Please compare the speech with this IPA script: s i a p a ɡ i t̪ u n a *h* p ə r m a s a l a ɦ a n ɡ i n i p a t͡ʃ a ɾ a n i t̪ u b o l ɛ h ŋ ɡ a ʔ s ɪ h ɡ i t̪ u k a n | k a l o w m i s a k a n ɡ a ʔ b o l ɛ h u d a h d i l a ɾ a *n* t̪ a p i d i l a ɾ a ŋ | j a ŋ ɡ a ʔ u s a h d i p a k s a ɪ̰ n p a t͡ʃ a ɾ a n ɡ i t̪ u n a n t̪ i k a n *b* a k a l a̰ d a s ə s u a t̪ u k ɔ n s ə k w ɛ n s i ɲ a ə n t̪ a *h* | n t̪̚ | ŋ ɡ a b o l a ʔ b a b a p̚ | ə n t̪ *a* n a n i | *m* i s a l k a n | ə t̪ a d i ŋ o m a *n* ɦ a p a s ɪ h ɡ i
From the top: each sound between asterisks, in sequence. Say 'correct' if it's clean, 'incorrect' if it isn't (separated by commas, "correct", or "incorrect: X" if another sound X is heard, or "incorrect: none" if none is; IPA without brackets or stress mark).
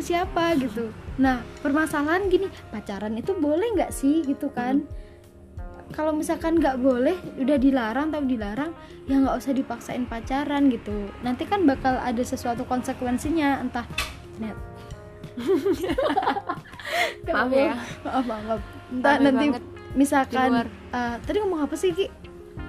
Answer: correct, incorrect: ŋ, correct, correct, correct, correct, incorrect: ŋ